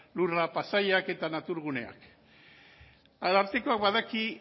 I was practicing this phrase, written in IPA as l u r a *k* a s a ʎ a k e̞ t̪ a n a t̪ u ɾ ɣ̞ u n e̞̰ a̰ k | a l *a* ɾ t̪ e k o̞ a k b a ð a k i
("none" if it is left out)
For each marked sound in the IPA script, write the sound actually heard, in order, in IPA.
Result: p, a

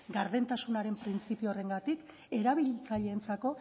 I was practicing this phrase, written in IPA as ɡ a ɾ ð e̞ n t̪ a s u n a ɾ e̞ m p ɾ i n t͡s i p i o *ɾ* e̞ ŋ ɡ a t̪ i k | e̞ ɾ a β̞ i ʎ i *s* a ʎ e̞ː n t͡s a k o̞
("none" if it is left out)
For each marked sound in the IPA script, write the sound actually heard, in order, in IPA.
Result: r, t͡s

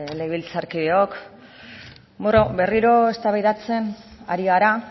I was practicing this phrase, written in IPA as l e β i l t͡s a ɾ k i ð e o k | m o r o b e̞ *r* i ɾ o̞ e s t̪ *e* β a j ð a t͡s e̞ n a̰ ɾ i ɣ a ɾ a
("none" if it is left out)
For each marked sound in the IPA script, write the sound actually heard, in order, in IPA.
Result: r, a

